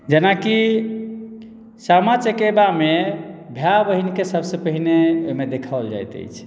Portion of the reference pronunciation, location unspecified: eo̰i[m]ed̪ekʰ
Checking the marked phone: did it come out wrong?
no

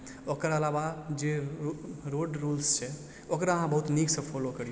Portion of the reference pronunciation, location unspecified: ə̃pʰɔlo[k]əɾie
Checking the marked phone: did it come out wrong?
no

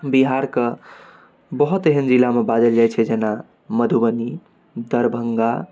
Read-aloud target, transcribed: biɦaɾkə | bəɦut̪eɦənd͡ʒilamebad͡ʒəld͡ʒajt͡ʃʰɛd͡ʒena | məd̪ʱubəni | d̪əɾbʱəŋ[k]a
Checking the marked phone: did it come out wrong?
yes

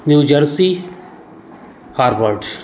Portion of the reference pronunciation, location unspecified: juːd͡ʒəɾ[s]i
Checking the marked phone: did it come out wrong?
no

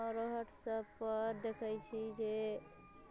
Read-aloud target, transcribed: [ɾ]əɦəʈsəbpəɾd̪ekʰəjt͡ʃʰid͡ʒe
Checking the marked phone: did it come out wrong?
no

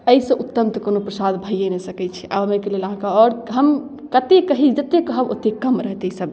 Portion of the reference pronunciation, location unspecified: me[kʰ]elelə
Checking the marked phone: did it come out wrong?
yes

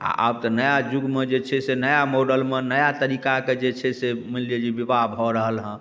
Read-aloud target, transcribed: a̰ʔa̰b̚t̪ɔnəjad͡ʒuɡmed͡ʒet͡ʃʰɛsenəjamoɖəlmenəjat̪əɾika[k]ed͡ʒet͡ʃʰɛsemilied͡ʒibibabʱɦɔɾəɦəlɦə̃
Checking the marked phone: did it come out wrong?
no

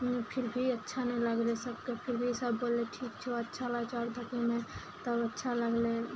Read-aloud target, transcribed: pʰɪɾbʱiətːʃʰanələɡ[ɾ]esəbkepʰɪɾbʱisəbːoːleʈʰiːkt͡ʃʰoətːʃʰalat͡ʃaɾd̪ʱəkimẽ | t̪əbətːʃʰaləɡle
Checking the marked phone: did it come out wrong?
yes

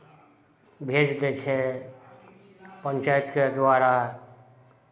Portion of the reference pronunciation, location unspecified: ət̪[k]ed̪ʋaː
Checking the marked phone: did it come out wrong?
no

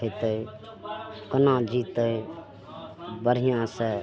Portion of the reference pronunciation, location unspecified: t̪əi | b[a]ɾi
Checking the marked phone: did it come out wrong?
yes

